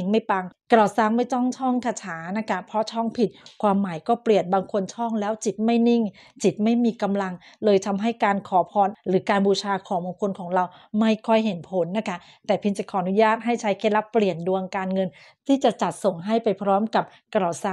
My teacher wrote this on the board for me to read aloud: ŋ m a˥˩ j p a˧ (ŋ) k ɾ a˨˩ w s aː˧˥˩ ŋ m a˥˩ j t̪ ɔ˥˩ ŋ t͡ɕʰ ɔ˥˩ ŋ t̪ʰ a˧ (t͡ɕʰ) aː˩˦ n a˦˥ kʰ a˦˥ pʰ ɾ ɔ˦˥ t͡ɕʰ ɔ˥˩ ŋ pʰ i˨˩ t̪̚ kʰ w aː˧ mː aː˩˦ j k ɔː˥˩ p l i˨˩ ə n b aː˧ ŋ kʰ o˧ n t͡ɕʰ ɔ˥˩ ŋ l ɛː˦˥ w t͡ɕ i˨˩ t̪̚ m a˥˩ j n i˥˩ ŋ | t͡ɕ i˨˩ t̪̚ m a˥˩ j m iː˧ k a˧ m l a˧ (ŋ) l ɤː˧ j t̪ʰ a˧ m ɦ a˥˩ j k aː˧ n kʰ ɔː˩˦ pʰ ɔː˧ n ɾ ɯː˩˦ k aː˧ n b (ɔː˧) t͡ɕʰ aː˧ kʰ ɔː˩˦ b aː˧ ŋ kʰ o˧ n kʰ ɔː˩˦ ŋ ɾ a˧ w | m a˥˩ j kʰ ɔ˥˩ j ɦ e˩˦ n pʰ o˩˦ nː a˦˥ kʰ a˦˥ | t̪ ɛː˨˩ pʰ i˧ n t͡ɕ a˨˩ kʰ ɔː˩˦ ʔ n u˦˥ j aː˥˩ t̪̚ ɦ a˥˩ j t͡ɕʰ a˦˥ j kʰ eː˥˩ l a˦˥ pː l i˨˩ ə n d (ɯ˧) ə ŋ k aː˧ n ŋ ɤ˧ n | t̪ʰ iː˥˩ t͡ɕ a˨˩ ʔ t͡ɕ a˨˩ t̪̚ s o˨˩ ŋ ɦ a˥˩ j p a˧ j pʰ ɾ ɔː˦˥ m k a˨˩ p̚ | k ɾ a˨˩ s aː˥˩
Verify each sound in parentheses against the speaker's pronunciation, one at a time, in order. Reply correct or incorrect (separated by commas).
correct, correct, correct, incorrect, incorrect